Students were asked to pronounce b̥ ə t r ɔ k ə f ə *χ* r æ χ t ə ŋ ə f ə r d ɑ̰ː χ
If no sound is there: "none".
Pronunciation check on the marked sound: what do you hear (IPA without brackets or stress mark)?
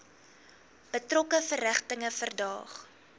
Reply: none